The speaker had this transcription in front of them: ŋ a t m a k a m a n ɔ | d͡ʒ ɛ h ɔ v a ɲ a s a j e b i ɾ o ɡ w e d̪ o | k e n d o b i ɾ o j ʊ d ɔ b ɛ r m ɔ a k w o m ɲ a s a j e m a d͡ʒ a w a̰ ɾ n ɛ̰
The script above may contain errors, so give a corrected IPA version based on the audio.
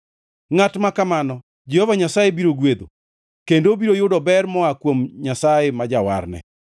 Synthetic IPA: ŋ a t m a k a m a n ɔ | d͡ʒ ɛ h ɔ v a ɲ a s a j e b i ɾ o ɡ w e d̪ o | k e n d o b i ɾ o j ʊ d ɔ b ɛ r m ɔ a k w o m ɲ a s a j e m a d͡ʒ a w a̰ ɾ n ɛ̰